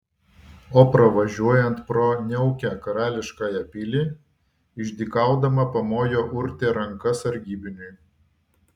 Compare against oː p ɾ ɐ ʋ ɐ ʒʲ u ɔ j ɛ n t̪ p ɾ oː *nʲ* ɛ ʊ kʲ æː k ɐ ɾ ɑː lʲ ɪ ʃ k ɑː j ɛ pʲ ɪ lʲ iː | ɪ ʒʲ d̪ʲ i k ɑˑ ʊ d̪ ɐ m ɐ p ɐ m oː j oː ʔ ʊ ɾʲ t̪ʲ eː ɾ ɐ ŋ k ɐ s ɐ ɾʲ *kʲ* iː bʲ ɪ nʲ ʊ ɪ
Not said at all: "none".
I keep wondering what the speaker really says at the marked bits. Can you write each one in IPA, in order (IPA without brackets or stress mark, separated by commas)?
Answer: nʲ, ɡʲ